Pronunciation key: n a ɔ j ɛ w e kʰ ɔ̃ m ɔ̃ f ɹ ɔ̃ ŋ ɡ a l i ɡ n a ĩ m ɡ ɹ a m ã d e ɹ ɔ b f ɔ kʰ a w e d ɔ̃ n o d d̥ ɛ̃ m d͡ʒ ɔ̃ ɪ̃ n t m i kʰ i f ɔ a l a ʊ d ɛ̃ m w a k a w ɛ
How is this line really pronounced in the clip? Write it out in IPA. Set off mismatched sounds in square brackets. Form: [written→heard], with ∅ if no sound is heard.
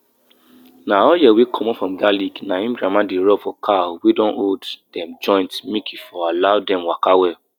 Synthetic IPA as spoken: n a ɔ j ɛ w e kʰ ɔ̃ m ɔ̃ f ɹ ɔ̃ [ŋ→m] ɡ a l i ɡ n a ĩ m ɡ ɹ a m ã d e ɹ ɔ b f ɔ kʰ a w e d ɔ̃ n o d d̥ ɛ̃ m d͡ʒ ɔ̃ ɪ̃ n t m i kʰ i f ɔ a l a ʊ d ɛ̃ m w a k a w ɛ